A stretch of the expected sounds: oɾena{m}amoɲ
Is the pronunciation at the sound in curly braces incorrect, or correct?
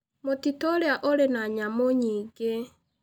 incorrect